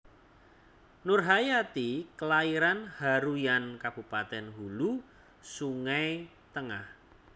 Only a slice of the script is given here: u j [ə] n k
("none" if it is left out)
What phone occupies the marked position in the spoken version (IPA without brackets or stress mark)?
a